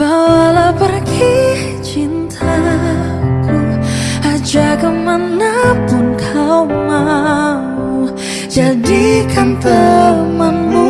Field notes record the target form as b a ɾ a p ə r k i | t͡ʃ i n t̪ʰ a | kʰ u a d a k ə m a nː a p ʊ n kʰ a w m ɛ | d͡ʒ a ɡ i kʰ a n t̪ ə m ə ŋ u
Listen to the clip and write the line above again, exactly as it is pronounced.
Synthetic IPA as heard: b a l a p ə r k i | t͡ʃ i n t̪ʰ a | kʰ u a d͡ʒ a k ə m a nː a p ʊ n kʰ a w m a | d͡ʒ a d i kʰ a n t̪ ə m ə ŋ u